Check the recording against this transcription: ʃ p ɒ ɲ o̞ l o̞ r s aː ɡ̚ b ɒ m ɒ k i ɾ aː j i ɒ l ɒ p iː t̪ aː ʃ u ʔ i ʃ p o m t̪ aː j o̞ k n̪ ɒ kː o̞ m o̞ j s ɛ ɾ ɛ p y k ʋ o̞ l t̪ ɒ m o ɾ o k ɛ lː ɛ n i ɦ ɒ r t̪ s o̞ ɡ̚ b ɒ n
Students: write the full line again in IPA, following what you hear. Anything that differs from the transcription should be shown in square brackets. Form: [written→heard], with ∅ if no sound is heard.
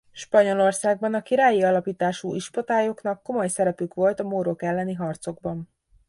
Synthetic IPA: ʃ p ɒ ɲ o̞ l o̞ r s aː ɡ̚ b ɒ [m→n] ɒ k i ɾ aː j i ɒ l ɒ p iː t̪ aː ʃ u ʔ i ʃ p o [m→∅] t̪ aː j o̞ k n̪ ɒ kː o̞ m o̞ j s ɛ ɾ ɛ p y k ʋ o̞ l t̪ ɒ m o ɾ o k ɛ lː ɛ n i ɦ ɒ r t̪ s o̞ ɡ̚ b ɒ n

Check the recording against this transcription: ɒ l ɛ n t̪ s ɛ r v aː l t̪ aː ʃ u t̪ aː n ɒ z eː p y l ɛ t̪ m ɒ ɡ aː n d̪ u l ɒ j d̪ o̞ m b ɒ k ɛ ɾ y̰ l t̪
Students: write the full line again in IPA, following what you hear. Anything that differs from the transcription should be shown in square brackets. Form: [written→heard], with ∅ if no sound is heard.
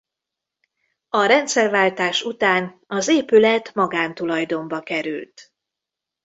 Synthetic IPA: ɒ [l→ɾ] ɛ n t̪ s ɛ r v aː l t̪ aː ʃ u t̪ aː n ɒ z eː p y l ɛ t̪ m ɒ ɡ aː n [d̪→t̪] u l ɒ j d̪ o̞ m b ɒ k ɛ ɾ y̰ l t̪

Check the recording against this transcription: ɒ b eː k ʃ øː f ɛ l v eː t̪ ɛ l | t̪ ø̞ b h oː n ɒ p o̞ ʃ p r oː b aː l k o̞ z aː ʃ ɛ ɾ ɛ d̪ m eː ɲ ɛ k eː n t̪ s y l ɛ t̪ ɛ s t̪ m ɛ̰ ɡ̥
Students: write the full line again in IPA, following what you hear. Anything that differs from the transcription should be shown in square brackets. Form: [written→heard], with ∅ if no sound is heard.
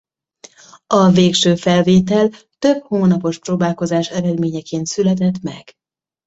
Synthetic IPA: ɒ [b→v] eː k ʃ øː f ɛ l v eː t̪ ɛ l | t̪ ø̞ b h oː n ɒ p o̞ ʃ p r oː b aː l k o̞ z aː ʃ ɛ ɾ ɛ d̪ m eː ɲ ɛ k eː n t̪ s y l ɛ t̪ ɛ [s→∅] t̪ m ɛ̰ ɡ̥

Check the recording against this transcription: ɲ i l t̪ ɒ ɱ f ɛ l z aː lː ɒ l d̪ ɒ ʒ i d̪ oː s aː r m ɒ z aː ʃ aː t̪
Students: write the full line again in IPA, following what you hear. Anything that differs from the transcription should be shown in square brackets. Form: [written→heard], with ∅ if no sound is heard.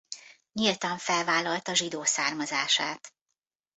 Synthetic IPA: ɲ i l t̪ ɒ ɱ f ɛ l [z→v] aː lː ɒ l [d̪→t̪] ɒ ʒ i d̪ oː s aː r m ɒ z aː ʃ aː t̪

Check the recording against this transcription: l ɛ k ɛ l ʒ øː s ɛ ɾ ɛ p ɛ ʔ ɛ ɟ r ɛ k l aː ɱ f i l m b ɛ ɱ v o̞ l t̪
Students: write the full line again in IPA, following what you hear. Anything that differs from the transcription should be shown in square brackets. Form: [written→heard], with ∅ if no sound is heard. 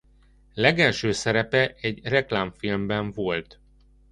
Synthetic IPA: l ɛ [k→ɡ] ɛ l [ʒ→ʃ] øː s ɛ ɾ ɛ p ɛ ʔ ɛ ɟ r ɛ k l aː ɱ f i l m b ɛ ɱ v o̞ l t̪

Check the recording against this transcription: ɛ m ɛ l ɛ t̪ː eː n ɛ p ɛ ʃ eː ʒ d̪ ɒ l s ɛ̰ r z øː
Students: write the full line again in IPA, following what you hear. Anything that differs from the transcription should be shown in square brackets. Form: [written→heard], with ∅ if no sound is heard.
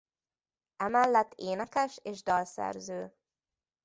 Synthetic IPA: ɛ m ɛ [l→lː] ɛ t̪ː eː n ɛ [p→k] ɛ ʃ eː ʒ d̪ ɒ l s ɛ̰ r z øː

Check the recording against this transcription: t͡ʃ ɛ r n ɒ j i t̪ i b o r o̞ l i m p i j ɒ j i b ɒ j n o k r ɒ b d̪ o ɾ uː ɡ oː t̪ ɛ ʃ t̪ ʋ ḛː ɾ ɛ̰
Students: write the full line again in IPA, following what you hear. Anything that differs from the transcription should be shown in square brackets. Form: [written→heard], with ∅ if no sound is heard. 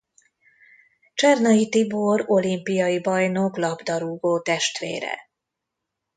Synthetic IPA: t͡ʃ ɛ r n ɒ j i t̪ i b o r o̞ l i m p i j ɒ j i b ɒ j n o k [r→l] ɒ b d̪ [o→ɒ] ɾ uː ɡ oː t̪ ɛ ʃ t̪ ʋ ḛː ɾ ɛ̰

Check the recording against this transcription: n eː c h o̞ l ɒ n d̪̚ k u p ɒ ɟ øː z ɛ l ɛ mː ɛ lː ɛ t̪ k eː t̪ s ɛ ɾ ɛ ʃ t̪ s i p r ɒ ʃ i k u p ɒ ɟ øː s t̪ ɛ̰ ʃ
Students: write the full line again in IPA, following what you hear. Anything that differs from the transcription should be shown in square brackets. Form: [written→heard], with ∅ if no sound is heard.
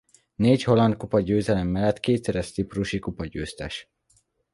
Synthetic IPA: n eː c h o̞ l ɒ n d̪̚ k u p ɒ ɟ øː z ɛ l ɛ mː ɛ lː ɛ t̪ k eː t̪ s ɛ ɾ ɛ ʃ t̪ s i p r [ɒ→u] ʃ i k u p ɒ ɟ øː s t̪ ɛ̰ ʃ

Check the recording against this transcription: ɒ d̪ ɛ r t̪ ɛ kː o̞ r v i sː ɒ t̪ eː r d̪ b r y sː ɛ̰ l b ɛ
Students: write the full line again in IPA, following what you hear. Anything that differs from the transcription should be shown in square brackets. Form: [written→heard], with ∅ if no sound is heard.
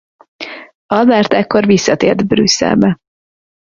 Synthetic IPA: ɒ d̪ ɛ r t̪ ɛ kː o̞ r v i sː ɒ t̪ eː r d̪ b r y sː ɛ̰ l b ɛ

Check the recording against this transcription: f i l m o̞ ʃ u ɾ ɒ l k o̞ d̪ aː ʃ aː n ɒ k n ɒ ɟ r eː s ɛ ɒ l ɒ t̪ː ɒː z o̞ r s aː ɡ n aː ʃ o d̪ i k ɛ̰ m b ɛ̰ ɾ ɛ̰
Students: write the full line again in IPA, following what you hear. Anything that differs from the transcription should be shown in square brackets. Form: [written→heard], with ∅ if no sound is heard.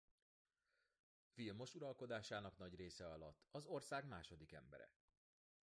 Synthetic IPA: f i l m o̞ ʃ u ɾ ɒ l k o̞ d̪ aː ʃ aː n ɒ k n ɒ ɟ r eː s ɛ ɒ l ɒ t̪ː [ɒː→ɒ] z o̞ r s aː ɡ [n→m] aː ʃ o d̪ i k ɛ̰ m b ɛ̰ ɾ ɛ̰

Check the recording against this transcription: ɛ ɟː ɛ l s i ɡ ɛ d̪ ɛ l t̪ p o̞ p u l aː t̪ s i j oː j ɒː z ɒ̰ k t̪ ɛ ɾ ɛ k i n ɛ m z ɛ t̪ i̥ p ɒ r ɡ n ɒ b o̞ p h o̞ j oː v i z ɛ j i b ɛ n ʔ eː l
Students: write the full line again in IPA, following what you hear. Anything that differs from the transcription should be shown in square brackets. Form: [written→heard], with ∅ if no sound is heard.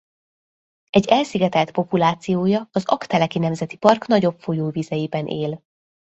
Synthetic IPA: ɛ ɟː ɛ l s i ɡ ɛ [d̪→t̪] ɛ l t̪ p o̞ p u l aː t̪ s i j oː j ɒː z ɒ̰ k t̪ ɛ [ɾ→l] ɛ k i n ɛ m z ɛ t̪ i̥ p ɒ r [ɡ→k] n ɒ [b→ɟ] o̞ p [h→f] o̞ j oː v i z ɛ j i b ɛ n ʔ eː l

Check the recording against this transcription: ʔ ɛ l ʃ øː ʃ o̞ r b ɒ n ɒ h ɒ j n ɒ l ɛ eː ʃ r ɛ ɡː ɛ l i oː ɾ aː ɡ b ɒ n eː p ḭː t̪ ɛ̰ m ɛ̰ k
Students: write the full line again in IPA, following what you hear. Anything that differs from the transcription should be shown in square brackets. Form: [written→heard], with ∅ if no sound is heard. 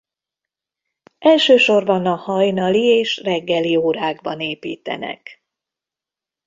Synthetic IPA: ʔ ɛ l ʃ øː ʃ o̞ r b ɒ n ɒ h ɒ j n ɒ l [ɛ→i] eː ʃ r ɛ ɡː ɛ l i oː ɾ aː ɡ b ɒ n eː p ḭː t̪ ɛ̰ [m→n] ɛ̰ k

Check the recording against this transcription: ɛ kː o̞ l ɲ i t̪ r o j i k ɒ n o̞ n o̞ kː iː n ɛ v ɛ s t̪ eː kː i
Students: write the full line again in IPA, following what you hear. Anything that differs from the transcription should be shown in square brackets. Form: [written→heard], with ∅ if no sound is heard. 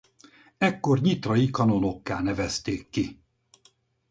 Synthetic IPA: ɛ kː o̞ [l→r] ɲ i t̪ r [o→ɒ] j i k ɒ n o̞ n o̞ kː [iː→aː] n ɛ v ɛ s t̪ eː kː i

